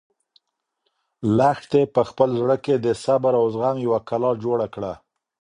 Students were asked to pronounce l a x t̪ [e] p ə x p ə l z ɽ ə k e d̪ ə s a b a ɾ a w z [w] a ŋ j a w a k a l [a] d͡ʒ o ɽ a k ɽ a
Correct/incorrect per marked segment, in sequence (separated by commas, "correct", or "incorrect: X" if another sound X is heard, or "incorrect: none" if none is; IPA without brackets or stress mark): correct, incorrect: ɣ, incorrect: ɑ